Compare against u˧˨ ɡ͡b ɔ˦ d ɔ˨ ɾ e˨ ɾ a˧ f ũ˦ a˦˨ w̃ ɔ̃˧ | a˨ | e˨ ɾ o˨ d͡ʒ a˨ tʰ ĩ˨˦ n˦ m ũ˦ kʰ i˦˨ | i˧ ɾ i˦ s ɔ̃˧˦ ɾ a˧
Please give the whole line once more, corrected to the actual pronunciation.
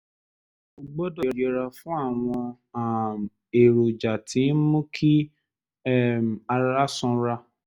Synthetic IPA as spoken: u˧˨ ɡ͡b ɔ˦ d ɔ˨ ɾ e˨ ɾ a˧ f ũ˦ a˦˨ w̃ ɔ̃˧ | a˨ | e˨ ɾ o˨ d͡ʒ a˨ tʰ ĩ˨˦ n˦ m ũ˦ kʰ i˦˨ | a˧ ɾ a˦ s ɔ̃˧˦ ɾ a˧